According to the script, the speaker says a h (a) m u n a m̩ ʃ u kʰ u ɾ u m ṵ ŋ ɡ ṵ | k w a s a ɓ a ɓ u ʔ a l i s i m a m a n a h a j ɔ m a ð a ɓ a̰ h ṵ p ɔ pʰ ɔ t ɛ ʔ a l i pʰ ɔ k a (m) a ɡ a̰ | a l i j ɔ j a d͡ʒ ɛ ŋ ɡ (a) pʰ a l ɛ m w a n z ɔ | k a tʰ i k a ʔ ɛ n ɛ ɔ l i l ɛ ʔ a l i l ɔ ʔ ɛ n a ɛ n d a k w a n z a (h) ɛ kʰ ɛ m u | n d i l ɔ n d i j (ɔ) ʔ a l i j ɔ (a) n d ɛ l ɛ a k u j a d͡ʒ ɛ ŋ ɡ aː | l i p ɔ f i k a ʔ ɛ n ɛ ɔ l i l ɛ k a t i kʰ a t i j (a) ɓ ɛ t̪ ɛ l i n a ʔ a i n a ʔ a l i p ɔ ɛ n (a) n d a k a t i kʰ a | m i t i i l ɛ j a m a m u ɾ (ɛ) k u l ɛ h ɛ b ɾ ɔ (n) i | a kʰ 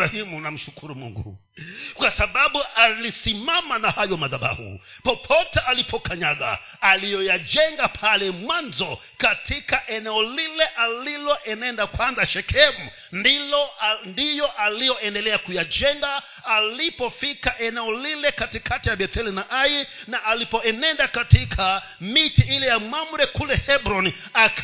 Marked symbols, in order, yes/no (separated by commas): no, no, yes, no, yes, no, yes, no, yes, yes